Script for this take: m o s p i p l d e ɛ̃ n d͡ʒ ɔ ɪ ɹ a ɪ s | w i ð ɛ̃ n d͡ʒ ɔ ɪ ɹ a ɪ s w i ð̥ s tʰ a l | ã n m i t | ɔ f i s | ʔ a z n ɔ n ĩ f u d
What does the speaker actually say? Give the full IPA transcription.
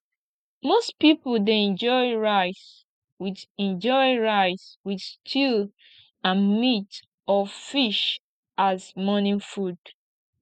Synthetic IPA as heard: m o s p i p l d e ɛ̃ n d͡ʒ ɔ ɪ ɹ a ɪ s | w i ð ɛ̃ n d͡ʒ ɔ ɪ ɹ a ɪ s w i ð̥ s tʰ i l | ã n m i t | ɔ f i ʃ | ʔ a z m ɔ n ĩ f u d

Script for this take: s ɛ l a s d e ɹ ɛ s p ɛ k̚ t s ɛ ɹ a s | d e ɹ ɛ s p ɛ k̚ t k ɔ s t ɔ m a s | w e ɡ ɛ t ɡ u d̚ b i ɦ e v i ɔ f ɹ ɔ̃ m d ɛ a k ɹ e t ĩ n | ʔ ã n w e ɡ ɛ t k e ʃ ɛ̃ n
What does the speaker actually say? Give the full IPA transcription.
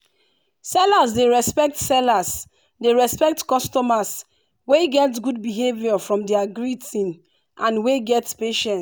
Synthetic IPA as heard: s ɛ l a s d e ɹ ɛ s p ɛ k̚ t s ɛ l a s | d e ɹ ɛ s p ɛ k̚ t k ɔ s t ɔ m a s | w e ɡ ɛ t ɡ u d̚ b i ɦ e v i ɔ f ɹ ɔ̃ m d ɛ a ɡ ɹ i t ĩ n | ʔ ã n w e ɡ ɛ t p e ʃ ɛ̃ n

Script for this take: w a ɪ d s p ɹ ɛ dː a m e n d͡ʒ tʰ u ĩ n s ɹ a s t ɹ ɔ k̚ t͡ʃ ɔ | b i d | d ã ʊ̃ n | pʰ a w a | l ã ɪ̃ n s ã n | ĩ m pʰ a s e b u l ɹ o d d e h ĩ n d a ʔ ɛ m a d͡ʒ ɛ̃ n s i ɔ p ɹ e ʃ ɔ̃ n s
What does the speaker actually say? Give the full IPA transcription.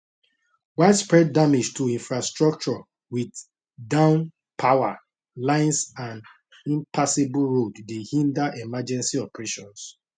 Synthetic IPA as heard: w a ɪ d s p ɹ ɛ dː a m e d͡ʒ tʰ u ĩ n f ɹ a s t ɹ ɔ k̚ t͡ʃ ɔ | w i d | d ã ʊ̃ n | pʰ a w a | l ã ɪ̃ n s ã n | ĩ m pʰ a s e b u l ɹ o d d e h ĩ n d a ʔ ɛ m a d͡ʒ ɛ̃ n s i ɔ p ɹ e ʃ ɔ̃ n s

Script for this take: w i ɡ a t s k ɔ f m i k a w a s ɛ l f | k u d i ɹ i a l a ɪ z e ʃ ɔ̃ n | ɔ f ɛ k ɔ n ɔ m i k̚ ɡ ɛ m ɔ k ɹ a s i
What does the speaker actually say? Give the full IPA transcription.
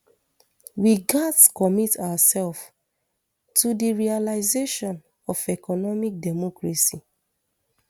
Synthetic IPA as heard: w i ɡ a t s k ɔ m i t a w a s ɛ l f | t u d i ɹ i a l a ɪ z e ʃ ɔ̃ n | ɔ f ɛ k ɔ n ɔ m i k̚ d ɛ m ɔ k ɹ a s i

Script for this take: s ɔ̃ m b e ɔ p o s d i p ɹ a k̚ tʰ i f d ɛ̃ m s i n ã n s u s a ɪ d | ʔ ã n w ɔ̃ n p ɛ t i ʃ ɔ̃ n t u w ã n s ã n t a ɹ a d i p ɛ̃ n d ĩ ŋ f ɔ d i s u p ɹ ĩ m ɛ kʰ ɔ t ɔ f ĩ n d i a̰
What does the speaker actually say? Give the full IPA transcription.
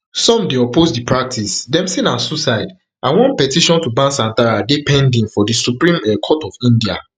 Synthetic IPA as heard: s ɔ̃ m d e ɔ p o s d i p ɹ a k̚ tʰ i s d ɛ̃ m s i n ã n s u s a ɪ d | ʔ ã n w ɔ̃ n p ɛ t i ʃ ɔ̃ n t u b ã n s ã n t a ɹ a d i p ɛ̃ n d ĩ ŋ f ɔ d i s u p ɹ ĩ m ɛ kʰ ɔ t ɔ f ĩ n d i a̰

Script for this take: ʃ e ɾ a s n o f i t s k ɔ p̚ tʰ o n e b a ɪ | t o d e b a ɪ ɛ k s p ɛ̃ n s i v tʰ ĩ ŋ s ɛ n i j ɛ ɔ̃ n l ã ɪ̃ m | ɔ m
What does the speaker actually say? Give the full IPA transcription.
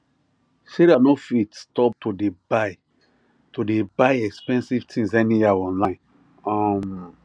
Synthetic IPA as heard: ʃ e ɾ a n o f i t s t ɔ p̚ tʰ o d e b a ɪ | t o d e b a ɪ ɛ k s p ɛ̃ n s i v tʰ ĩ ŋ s ɛ n i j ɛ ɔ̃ n l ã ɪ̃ n | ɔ m

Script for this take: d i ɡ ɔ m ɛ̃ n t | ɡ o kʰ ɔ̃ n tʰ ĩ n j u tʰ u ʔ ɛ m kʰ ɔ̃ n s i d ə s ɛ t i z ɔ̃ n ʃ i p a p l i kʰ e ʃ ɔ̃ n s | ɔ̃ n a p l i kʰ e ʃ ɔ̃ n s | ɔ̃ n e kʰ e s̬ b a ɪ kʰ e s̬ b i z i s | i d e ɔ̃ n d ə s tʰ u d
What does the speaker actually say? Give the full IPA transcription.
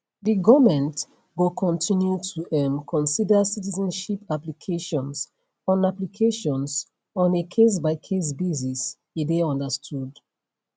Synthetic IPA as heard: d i ɡ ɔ m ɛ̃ n t | ɡ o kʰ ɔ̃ n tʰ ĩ n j u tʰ u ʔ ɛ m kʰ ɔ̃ n s i d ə s i t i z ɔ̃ n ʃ i p a p l i kʰ e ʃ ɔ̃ n s | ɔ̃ n a p l i kʰ e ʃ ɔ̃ n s | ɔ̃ n e kʰ e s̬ b a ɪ kʰ e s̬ b i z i s | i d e ɔ̃ n d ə s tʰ u d

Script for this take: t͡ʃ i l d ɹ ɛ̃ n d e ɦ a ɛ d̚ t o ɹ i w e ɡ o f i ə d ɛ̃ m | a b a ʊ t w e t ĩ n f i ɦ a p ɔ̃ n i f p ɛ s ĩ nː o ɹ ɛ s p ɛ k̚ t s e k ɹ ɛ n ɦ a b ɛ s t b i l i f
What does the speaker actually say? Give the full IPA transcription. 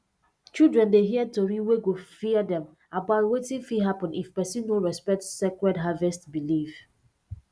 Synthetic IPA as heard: t͡ʃ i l d ɹ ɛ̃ n d e ɦ i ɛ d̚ t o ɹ i w e ɡ o f i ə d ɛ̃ m | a b a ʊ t w e t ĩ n f i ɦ a p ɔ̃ n i f p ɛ s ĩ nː o ɹ ɛ s p ɛ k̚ t s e k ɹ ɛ d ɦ a v ɛ s t b i l i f

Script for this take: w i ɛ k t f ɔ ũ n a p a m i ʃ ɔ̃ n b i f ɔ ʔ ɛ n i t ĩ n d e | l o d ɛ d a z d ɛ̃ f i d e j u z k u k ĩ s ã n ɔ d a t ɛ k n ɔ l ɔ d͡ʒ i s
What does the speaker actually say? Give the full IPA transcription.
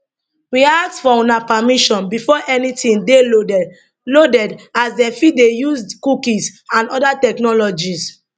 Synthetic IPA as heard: w i a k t f ɔ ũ n a p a m i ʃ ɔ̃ n b i f ɔ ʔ ɛ n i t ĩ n d e | l o d ɛ d a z d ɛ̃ f i d e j u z k u k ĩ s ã n ɔ d a t ɛ k n ɔ l ɔ d͡ʒ i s

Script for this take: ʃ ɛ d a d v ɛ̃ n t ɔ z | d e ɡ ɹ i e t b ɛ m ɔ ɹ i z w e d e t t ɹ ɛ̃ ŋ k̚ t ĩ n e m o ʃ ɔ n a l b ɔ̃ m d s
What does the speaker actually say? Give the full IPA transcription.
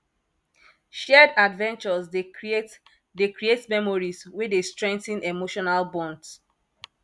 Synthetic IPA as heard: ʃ ɛ d a d v ɛ̃ n t͡ʃ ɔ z | d e k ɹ i e t m ɛ m ɔ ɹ i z w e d e s t ɹ ɛ̃ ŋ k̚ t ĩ n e m o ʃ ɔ n a l b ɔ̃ n d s

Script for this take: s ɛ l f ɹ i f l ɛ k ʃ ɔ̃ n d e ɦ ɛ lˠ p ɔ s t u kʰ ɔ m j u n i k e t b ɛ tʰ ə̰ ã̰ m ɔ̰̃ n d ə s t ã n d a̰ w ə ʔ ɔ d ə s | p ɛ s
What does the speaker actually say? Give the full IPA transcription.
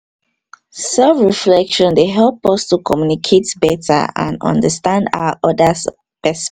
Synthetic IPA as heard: s ɛ l f ɹ i f l ɛ k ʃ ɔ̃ n d e ɦ ɛ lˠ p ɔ s t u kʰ ɔ m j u n i kʰ e t b ɛ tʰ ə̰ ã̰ n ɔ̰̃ n d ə s t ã n d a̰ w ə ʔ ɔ d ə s | p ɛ s

